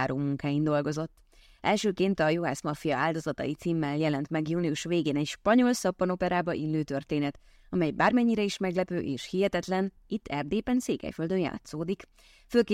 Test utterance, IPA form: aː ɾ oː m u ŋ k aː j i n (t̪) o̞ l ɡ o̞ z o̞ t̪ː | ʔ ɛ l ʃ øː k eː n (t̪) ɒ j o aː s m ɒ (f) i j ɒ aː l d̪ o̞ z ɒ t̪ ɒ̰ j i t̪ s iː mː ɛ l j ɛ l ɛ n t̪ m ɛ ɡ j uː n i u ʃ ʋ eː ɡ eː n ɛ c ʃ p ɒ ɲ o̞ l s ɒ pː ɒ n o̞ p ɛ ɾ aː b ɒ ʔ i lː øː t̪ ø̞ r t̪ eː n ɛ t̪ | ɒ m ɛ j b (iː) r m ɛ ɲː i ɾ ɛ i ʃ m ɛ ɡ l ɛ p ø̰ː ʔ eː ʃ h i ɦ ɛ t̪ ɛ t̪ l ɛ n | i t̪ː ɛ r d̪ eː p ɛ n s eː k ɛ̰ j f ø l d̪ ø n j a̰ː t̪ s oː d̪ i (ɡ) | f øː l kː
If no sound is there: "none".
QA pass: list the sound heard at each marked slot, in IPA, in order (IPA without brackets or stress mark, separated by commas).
d̪, t̪, f, aː, k